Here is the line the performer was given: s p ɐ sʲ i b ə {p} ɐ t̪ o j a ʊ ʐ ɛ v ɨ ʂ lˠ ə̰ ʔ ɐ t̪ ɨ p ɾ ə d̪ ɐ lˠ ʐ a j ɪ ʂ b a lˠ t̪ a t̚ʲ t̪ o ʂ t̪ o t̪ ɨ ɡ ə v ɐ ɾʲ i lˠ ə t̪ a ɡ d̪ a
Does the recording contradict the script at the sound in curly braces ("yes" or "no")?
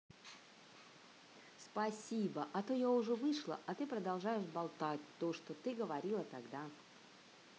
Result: yes